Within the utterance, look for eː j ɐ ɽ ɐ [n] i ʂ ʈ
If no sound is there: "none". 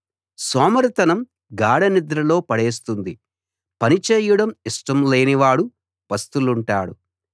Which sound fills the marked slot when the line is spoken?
m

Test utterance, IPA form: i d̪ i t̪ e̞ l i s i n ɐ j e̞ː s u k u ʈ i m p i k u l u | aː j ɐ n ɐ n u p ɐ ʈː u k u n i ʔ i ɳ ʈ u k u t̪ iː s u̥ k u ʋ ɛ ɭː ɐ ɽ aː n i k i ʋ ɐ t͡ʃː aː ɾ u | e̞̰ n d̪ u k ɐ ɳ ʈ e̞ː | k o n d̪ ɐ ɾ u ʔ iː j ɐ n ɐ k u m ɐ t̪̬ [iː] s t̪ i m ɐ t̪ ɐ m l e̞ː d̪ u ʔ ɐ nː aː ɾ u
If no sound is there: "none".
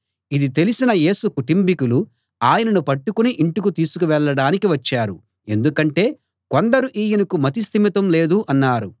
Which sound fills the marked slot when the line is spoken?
i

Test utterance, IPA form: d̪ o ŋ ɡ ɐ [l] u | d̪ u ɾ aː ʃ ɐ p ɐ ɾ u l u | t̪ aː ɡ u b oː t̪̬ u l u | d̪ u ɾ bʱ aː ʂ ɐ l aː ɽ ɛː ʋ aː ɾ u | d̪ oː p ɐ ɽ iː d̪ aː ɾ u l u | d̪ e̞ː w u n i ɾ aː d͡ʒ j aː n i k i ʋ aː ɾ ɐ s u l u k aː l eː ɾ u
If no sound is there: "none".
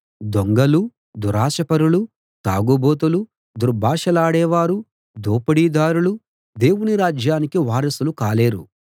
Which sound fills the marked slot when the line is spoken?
l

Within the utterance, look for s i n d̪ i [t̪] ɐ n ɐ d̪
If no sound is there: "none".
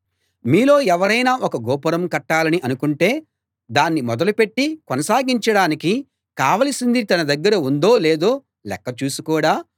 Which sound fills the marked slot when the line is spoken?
t̪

